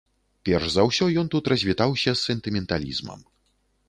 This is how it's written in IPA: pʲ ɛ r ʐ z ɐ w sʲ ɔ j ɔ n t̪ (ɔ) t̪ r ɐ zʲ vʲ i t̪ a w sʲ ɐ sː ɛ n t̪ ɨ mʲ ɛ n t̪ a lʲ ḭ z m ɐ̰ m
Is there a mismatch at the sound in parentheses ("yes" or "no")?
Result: yes